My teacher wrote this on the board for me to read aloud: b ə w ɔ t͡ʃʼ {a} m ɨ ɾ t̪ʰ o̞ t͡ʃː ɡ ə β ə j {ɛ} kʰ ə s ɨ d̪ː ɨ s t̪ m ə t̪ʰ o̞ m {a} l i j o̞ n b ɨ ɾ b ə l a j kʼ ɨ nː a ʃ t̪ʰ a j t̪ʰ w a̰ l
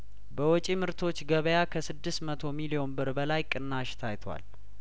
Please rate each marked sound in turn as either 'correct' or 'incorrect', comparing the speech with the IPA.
incorrect: i, incorrect: a, incorrect: i

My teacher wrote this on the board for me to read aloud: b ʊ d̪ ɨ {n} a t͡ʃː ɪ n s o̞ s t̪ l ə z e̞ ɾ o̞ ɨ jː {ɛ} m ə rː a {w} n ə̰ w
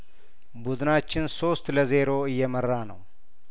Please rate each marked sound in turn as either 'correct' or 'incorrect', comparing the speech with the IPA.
correct, correct, incorrect: none

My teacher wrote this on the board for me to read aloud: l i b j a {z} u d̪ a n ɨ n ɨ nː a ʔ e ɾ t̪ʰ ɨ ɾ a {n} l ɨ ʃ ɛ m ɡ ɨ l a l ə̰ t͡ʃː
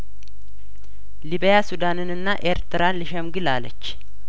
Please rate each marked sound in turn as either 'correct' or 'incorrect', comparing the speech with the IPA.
incorrect: s, correct

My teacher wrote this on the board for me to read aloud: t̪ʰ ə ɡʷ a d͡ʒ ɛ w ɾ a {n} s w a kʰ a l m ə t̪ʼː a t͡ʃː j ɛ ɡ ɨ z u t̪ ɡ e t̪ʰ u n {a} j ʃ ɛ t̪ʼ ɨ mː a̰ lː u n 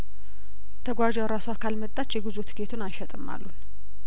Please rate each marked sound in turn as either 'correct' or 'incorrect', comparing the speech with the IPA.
incorrect: none, correct

